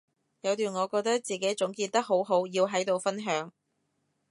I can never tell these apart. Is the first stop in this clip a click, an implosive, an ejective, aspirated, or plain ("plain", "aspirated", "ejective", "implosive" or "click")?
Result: plain